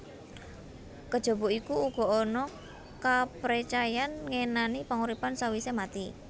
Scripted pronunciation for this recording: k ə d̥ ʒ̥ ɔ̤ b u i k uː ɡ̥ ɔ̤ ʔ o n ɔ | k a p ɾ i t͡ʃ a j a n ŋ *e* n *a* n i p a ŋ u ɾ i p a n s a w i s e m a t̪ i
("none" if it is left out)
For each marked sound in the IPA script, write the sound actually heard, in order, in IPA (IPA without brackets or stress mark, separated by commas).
e, a